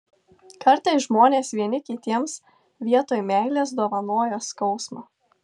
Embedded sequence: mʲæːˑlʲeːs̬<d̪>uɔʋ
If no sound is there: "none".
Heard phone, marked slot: d̪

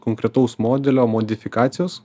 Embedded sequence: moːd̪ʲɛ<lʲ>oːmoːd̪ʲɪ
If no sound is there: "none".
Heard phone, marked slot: lʲ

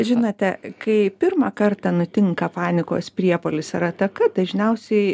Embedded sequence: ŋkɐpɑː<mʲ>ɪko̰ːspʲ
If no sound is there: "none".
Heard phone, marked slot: nʲ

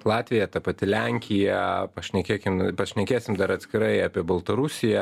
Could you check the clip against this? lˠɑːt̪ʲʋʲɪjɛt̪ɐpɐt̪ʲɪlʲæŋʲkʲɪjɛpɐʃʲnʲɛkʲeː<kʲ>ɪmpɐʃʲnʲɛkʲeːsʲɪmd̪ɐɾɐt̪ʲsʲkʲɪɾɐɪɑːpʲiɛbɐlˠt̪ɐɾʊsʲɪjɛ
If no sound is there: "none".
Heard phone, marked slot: kʲ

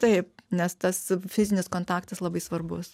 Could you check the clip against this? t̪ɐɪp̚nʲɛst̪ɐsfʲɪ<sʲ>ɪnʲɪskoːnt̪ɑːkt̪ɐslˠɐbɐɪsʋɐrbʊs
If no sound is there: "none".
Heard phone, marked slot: zʲ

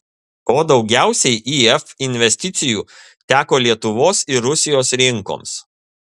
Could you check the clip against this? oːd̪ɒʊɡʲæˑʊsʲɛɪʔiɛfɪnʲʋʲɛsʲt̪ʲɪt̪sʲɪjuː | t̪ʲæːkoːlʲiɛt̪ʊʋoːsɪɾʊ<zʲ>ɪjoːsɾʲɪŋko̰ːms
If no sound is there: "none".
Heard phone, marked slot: sʲ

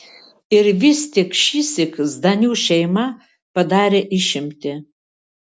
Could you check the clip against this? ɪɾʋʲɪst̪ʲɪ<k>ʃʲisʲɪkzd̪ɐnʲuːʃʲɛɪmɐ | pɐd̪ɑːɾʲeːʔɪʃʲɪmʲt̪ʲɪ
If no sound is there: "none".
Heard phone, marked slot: k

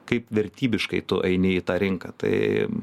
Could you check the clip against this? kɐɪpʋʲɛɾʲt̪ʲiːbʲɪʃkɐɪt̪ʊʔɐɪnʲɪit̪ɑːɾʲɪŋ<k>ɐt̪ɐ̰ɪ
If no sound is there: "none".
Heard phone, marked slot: k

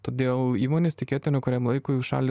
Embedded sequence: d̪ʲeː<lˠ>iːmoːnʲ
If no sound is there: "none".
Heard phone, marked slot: lˠ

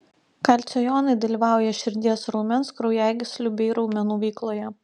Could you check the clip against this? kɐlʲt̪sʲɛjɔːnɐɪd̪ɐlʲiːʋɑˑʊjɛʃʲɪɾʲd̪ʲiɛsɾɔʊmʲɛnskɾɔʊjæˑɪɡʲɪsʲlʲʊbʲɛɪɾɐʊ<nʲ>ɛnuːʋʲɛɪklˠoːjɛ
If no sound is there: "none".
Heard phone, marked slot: mʲ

